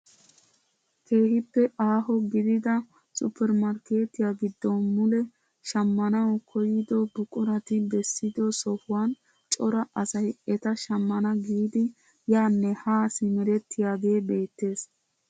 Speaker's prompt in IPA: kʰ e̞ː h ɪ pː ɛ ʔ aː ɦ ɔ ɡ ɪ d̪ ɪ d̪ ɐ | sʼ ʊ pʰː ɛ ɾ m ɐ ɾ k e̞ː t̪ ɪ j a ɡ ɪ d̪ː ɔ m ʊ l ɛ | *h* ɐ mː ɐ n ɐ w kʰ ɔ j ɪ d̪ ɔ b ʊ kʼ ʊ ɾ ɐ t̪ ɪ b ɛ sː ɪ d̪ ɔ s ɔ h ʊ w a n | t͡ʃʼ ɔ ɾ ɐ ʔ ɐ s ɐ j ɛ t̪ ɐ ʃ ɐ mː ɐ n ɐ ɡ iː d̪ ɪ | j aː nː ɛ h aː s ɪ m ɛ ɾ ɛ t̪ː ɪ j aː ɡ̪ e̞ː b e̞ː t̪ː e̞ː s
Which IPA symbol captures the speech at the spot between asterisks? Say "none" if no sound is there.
ʃ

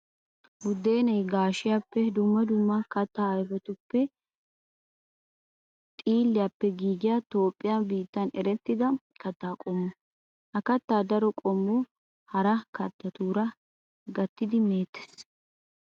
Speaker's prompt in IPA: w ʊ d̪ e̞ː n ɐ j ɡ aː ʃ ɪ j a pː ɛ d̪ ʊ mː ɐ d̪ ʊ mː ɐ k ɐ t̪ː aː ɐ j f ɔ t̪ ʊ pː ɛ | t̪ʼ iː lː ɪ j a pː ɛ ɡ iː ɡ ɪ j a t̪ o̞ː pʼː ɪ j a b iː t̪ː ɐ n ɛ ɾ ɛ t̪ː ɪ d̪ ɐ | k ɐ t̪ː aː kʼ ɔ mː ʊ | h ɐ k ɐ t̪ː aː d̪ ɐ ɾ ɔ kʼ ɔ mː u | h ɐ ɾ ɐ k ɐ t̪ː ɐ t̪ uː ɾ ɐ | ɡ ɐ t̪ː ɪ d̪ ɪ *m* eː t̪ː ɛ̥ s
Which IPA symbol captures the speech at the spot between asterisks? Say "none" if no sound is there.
m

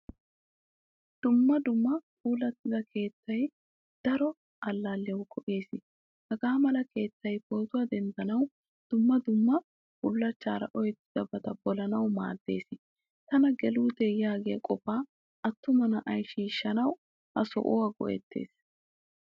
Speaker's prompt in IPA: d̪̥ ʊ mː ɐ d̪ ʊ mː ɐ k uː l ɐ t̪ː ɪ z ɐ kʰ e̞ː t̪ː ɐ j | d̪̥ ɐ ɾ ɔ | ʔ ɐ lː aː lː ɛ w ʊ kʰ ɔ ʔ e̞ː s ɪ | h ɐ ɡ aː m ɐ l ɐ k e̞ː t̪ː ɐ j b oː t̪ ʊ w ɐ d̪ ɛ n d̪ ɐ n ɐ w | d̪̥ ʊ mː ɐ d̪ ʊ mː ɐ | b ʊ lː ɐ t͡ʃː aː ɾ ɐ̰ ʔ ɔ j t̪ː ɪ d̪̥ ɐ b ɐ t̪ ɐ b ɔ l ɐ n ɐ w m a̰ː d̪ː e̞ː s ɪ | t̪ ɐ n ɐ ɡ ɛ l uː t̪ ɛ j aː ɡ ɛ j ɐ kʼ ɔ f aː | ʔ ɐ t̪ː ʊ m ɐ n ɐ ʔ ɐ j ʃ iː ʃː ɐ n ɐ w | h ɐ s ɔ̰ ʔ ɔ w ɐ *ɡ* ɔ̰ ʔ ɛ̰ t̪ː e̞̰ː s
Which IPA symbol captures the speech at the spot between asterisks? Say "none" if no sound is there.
ɡ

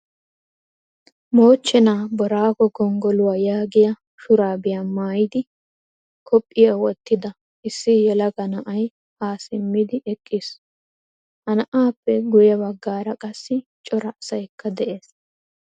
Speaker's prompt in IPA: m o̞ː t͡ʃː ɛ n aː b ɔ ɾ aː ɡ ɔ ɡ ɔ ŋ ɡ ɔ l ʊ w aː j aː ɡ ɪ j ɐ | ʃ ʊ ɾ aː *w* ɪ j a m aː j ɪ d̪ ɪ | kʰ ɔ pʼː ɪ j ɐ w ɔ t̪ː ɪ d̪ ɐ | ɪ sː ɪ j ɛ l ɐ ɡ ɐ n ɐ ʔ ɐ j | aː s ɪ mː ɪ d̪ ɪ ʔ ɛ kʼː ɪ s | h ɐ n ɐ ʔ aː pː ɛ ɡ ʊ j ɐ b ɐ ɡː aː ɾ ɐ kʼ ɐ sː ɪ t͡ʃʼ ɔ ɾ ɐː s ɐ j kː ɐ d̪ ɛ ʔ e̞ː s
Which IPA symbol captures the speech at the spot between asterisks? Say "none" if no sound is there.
b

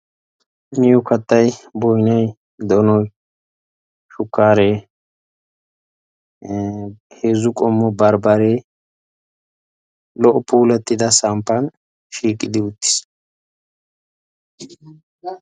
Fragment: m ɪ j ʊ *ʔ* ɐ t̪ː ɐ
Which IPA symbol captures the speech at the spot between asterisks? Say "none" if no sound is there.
k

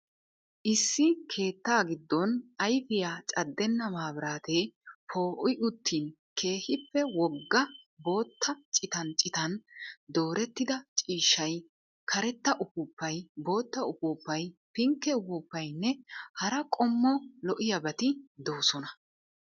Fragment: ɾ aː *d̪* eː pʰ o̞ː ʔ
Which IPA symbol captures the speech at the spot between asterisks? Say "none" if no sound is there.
t̪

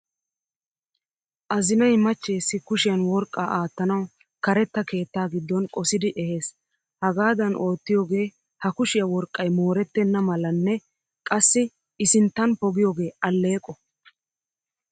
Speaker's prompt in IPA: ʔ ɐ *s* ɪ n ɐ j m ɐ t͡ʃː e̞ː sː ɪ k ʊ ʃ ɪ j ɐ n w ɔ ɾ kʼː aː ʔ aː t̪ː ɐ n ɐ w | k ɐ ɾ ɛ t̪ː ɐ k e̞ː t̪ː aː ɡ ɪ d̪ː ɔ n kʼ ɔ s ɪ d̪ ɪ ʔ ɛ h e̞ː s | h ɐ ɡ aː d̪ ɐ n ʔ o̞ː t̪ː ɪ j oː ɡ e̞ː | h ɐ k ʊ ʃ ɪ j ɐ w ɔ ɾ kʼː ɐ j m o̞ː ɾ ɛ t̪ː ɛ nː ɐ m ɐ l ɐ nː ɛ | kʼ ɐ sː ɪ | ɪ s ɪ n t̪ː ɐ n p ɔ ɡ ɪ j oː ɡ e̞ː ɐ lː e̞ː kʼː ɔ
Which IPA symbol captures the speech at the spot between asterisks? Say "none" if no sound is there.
z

